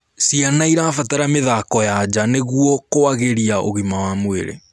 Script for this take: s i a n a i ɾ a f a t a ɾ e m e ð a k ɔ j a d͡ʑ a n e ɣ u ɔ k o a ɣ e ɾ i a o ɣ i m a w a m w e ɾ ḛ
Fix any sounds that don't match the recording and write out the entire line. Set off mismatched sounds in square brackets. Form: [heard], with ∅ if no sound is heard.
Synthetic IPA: s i a n a i ɾ a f a t a ɾ [a] m e ð a k ɔ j a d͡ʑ a n e ɣ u ɔ k o a ɣ e ɾ i a o ɣ i m a w a m w e ɾ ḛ